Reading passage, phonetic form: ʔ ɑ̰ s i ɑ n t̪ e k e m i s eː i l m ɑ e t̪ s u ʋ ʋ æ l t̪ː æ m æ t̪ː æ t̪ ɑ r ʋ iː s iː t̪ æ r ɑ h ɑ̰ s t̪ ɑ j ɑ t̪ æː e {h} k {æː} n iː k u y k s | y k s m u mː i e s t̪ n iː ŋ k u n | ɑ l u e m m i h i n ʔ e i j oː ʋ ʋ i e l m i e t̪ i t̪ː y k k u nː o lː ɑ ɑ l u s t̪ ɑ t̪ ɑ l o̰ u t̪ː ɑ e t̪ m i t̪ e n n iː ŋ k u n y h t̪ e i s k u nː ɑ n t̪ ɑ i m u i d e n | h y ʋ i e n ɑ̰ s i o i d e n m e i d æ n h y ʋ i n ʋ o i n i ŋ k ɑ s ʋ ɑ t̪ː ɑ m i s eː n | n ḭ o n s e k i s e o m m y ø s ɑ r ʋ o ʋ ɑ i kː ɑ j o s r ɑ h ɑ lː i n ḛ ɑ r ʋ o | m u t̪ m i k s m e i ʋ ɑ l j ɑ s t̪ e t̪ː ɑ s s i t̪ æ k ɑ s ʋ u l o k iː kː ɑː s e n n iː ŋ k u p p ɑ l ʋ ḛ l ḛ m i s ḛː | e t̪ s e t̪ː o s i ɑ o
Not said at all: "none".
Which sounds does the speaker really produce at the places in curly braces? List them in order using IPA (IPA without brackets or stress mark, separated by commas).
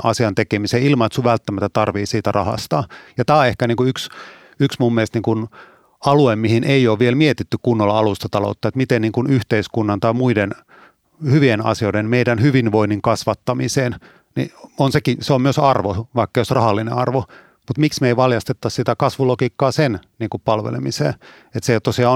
h, æ